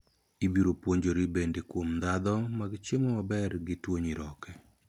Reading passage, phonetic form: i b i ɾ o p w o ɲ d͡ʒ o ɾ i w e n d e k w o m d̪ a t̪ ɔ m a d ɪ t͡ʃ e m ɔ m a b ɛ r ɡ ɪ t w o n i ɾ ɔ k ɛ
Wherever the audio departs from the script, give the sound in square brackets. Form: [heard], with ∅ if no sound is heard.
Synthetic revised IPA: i b i ɾ o p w o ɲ d͡ʒ o ɾ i [b] e n d e k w o m d̪ a [d̪] ɔ m a [ɡ] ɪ t͡ʃ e m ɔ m a b ɛ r ɡ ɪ t w o [ɲ] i ɾ ɔ k ɛ